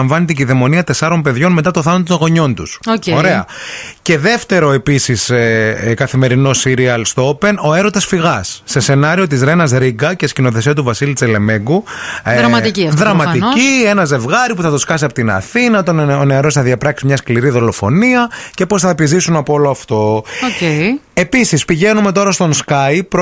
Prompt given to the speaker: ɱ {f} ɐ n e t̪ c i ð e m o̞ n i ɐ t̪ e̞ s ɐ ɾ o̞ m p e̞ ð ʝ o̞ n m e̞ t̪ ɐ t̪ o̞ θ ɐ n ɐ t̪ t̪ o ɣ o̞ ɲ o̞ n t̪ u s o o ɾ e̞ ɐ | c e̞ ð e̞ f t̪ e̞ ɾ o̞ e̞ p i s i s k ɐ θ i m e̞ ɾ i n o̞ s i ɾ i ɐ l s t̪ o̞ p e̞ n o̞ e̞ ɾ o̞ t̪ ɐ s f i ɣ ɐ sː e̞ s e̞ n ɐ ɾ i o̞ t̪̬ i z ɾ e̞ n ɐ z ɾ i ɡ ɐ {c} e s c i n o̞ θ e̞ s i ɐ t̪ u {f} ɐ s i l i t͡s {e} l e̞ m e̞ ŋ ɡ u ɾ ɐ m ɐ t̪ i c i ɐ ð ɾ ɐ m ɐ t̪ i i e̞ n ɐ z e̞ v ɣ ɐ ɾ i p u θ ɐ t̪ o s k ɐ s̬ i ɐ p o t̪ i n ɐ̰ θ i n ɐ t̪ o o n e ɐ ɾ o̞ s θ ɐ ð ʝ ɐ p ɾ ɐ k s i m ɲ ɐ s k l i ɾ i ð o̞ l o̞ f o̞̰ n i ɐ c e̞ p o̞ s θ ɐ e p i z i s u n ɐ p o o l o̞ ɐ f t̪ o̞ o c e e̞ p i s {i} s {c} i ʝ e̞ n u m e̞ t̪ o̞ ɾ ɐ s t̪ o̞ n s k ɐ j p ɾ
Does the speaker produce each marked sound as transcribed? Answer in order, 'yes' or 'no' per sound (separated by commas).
no, yes, no, yes, yes, no